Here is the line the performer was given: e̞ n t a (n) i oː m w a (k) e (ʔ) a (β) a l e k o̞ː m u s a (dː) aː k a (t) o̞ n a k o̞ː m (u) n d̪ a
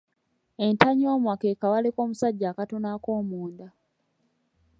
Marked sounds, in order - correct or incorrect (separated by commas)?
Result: incorrect, correct, incorrect, incorrect, incorrect, correct, incorrect